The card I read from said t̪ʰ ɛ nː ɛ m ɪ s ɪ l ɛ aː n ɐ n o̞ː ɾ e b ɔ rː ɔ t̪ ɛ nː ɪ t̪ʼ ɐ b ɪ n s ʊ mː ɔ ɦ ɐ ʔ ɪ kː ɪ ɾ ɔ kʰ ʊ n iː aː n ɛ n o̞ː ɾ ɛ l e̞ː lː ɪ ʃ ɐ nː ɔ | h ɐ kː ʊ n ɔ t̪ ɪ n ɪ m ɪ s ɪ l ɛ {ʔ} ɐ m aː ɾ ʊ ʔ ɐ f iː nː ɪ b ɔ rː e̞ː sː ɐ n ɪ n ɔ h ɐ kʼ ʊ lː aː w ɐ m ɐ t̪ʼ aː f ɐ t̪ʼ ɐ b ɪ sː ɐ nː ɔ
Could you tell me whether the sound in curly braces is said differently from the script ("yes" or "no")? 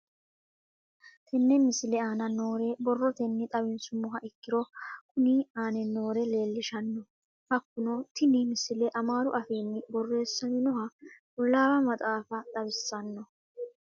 no